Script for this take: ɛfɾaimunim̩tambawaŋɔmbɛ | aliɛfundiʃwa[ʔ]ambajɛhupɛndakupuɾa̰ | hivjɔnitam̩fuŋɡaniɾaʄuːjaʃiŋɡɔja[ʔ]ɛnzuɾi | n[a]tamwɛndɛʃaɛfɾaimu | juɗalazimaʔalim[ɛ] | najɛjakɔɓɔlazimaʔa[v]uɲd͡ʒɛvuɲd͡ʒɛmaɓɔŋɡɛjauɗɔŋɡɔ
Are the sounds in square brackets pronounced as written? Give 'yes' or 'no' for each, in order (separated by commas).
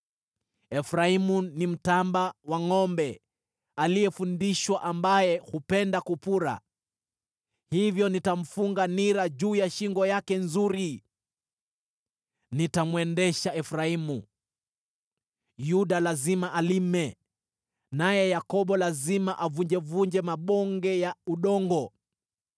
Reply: yes, no, no, yes, yes